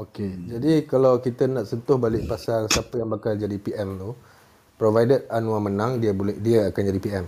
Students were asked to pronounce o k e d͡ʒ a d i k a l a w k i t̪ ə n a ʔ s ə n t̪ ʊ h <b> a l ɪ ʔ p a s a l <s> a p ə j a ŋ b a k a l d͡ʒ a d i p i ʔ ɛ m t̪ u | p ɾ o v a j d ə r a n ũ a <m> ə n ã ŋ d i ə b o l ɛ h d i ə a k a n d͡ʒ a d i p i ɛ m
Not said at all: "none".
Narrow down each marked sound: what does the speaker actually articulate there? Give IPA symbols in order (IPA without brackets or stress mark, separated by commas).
b, s, m